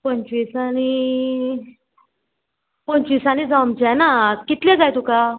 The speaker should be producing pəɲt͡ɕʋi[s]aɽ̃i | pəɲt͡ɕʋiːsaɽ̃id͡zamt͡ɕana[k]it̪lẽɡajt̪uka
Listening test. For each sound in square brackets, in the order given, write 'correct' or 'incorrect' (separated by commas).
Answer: correct, correct